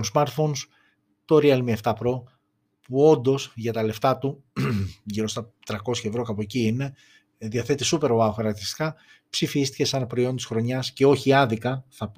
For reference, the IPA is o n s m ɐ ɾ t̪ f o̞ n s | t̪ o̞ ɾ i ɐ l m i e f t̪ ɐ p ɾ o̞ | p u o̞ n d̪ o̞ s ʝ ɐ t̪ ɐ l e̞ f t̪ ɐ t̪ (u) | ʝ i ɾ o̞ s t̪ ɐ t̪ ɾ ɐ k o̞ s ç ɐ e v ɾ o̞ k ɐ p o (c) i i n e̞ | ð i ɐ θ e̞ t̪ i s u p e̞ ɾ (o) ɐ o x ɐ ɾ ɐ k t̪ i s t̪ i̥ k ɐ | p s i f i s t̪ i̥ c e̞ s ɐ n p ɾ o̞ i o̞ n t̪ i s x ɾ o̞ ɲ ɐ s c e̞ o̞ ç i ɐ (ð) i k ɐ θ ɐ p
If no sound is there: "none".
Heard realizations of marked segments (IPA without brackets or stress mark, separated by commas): u, c, o, ð